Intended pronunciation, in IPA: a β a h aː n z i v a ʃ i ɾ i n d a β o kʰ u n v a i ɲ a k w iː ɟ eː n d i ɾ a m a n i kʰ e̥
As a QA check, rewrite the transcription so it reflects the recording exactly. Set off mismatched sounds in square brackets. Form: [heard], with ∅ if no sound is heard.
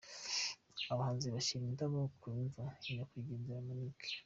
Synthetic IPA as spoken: a β a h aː n z i [β] a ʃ i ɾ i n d a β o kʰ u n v a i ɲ a k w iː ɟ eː n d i ɾ a m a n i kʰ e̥

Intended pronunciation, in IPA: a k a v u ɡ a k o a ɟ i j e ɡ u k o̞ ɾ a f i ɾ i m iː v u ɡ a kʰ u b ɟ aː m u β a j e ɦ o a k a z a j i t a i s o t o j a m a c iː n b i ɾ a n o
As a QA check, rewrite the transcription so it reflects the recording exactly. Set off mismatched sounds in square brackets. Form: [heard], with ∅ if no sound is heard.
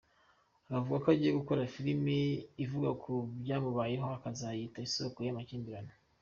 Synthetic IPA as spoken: a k a v u ɡ a k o a ɟ i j e ɡ u k o̞ ɾ a f i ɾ i m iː v u ɡ a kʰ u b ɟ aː m u β a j e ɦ o a k a z a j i t a i s o [k] o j a m a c iː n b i ɾ a n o

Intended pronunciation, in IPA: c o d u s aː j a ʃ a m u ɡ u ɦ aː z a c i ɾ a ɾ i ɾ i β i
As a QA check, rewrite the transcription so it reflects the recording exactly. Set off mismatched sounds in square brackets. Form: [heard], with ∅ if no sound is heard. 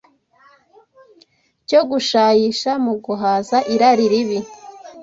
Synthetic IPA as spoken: c o [ɡ] u [ʃ] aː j [i] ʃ a m u ɡ u ɦ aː z a [ʔ] i ɾ a ɾ i ɾ i β i

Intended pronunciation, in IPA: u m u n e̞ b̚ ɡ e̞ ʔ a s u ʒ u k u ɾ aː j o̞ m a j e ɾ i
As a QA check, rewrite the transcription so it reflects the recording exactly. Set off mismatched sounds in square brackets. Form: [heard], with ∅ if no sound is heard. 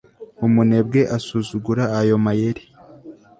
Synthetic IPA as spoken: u m u n e̞ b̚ ɡ e̞ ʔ a s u [z] u [ɡ] u ɾ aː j o̞ m a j e ɾ i

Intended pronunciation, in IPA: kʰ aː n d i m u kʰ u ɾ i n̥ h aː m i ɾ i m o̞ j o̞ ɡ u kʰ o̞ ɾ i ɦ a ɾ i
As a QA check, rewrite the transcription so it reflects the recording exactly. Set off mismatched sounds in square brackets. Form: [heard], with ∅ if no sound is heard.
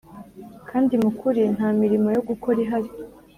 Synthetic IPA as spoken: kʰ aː n d i m u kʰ u ɾ i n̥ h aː m i ɾ i m o̞ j o̞ ɡ u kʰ o̞ ɾ i ɦ a ɾ i

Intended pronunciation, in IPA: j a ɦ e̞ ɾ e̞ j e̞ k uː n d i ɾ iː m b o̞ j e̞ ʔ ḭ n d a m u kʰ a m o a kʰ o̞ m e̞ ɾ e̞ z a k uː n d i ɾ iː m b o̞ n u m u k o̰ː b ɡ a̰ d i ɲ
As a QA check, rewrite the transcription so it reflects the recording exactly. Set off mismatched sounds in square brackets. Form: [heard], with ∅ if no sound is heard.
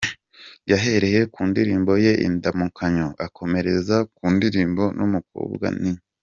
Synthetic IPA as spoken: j a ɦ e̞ ɾ e̞ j e̞ k uː n d i ɾ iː m b o̞ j e̞ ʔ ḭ n d a m u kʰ a [ɲ] o a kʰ o̞ m e̞ ɾ e̞ z a k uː n d i ɾ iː m b o̞ n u m u k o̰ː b ɡ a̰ [n] i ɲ

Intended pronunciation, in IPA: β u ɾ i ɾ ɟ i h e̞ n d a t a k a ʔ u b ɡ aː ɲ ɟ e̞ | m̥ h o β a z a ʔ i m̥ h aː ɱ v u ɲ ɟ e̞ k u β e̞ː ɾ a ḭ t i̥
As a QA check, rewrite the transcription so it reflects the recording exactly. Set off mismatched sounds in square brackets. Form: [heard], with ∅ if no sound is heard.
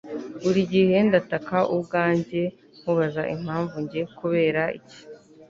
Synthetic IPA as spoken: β u ɾ i [∅] ɟ i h e̞ n d a t a k a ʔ u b ɡ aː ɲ ɟ e̞ | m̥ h [u] β a z a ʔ i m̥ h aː ɱ v u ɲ ɟ e̞ k u β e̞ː ɾ a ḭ [c] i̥

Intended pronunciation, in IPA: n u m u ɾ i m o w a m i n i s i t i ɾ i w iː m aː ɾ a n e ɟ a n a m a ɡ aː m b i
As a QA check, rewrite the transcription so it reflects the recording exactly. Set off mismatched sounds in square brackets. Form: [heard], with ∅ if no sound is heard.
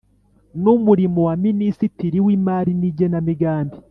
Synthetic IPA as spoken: n u m u ɾ i m o w a m i n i s i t i ɾ i w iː m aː ɾ [i] n [i] ɟ [e] n a m [i] ɡ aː m b i

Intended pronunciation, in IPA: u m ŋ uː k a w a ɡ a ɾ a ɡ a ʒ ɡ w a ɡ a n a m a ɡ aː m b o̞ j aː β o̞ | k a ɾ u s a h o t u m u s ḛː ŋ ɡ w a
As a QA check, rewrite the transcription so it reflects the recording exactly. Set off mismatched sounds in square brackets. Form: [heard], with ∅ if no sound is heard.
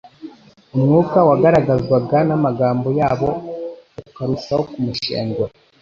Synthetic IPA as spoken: u m ŋ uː k a w a ɡ a ɾ a ɡ a [z] ɡ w a ɡ a n a m a ɡ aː m b o̞ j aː β o̞ | k a ɾ u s a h o [k] u m u [ʃ] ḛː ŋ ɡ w a

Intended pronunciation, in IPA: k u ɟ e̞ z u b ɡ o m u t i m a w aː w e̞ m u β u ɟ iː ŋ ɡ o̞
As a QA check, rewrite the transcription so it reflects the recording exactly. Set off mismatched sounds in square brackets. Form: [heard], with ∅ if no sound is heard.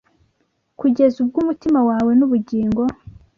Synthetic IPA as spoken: k u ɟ e̞ z u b ɡ [u] m u t i m a w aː w e̞ [n] u β u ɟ iː ŋ ɡ o̞

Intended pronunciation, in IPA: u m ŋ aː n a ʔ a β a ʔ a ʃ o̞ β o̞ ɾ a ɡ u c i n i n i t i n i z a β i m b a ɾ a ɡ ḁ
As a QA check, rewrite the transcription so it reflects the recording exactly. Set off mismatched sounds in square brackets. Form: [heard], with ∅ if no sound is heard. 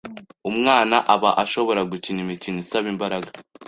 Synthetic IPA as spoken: u m ŋ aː n a ʔ a β a ʔ a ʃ o̞ β o̞ ɾ a ɡ u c i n i [m] i [c] i n i [s] a β i m b a ɾ a ɡ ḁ

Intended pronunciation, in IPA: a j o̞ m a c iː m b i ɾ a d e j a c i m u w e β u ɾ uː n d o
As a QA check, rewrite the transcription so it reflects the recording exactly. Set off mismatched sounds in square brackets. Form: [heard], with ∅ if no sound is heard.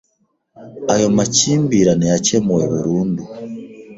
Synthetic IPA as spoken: a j o̞ m a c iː m b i ɾ a [n] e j a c [e] m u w e β u ɾ uː n d [u]

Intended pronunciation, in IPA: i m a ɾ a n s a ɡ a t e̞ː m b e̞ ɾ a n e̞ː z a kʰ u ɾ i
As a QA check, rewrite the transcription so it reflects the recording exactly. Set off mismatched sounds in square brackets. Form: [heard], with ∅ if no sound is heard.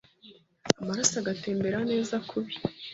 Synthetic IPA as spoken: [a] m a ɾ a [∅] s a ɡ a t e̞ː m b e̞ ɾ a n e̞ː z a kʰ u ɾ i

